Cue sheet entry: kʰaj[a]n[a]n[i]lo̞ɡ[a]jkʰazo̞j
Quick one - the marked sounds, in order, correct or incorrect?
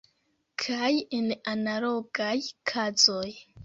incorrect, correct, incorrect, correct

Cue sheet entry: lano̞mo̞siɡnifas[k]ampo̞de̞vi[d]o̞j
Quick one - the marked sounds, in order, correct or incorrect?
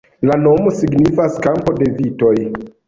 correct, incorrect

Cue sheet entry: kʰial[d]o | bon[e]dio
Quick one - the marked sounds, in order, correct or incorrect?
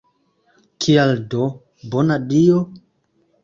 correct, incorrect

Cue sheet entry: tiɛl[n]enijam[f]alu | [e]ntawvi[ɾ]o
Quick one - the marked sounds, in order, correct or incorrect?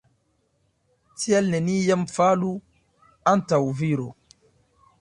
correct, correct, incorrect, correct

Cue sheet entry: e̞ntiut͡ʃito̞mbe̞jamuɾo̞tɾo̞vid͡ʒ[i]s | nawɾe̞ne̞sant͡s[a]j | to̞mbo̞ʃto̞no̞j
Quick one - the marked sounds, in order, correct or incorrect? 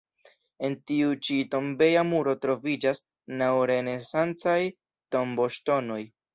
incorrect, correct

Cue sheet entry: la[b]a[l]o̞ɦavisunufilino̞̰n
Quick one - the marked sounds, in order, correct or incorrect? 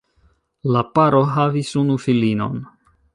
incorrect, incorrect

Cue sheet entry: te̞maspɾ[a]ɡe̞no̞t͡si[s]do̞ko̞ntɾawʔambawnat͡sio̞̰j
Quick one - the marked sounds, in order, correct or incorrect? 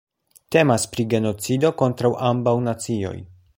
incorrect, incorrect

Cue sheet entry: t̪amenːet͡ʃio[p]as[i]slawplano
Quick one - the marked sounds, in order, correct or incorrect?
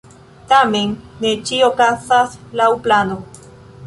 incorrect, incorrect

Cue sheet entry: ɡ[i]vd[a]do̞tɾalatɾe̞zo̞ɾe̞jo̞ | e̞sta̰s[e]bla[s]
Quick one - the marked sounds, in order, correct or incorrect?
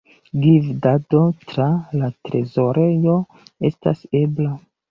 correct, correct, correct, incorrect

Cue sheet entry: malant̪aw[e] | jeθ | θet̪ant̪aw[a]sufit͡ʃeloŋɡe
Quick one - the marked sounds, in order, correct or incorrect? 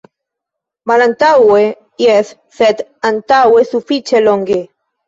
correct, incorrect

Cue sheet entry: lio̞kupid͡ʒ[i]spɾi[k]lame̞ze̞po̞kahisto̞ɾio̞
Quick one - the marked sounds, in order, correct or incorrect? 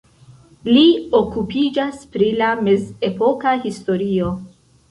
incorrect, incorrect

